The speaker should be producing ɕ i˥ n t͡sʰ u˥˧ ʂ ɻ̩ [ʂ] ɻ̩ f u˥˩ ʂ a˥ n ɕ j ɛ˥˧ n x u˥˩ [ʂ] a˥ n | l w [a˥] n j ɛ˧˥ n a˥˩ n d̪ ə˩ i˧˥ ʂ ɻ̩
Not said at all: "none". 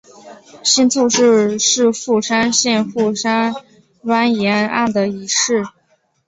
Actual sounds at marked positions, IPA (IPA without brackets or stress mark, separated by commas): ʂ, ʂ, a˥